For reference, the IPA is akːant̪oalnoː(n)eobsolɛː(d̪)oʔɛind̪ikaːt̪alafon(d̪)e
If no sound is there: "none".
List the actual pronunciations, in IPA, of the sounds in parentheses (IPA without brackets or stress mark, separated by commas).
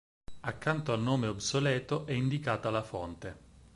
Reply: m, t̪, t̪